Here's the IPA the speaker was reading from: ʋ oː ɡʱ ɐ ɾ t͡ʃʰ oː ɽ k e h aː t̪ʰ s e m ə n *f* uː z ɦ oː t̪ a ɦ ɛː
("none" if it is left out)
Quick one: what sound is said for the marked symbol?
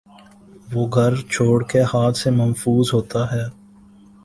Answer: f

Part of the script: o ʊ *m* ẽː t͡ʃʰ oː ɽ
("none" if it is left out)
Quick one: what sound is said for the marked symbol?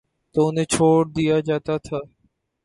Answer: n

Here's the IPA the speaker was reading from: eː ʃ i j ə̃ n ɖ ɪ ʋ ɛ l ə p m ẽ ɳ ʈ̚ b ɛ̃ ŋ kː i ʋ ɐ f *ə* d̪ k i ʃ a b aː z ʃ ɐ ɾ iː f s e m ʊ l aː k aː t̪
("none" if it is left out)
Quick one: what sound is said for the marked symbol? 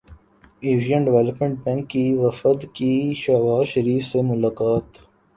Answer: ə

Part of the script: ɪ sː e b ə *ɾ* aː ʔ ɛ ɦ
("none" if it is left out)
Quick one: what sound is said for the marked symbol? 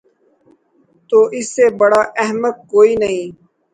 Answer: ɽ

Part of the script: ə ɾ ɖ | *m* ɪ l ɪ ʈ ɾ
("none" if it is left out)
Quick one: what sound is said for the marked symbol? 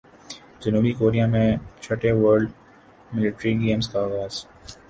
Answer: m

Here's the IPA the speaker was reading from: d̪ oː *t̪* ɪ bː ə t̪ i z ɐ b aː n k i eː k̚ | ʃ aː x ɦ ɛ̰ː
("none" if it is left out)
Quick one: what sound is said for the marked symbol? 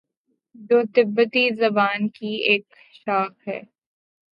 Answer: t̪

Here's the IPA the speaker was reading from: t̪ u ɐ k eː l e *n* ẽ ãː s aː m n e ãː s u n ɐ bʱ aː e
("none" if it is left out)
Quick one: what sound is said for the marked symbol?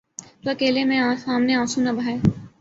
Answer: m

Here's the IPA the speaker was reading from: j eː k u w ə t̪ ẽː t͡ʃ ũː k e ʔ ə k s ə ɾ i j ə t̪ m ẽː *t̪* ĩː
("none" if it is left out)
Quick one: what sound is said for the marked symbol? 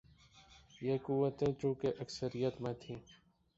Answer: t̪ʰ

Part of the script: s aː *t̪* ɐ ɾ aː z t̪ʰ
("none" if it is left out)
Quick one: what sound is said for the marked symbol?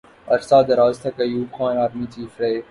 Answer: d̪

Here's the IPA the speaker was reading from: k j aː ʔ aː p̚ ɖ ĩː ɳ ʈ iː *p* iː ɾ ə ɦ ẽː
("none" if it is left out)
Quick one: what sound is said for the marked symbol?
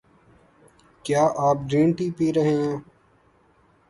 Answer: p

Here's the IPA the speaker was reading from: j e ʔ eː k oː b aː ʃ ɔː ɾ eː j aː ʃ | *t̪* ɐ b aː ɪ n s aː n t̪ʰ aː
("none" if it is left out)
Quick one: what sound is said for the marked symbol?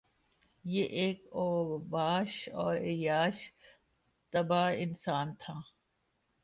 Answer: t̪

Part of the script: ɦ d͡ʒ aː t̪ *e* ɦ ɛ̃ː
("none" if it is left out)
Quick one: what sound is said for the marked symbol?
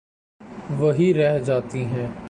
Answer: i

